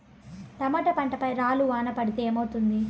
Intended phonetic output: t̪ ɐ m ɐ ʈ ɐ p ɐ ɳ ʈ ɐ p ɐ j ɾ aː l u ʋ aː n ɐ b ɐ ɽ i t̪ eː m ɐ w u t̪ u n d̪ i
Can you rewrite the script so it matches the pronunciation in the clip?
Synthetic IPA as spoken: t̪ ɐ m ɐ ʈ ɐ p ɐ ɳ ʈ ɐ p ɐ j ɾ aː l u ʋ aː n ɐ p ɐ ɽ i t̪ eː m ɐ w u t̪ u n d̪ i